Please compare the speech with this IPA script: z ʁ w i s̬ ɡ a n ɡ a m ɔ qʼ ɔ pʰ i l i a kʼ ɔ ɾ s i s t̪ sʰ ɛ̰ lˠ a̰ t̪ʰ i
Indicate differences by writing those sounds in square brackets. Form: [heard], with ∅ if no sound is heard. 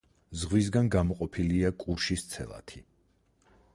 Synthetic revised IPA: z ʁ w i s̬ ɡ a n ɡ a m ɔ qʼ ɔ pʰ i l i a kʼ [u] ɾ [ʃ] i s t̪ sʰ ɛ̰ lˠ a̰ t̪ʰ i